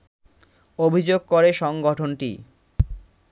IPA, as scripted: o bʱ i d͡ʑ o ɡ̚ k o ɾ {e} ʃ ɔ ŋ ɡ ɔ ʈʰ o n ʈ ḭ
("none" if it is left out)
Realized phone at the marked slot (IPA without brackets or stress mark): e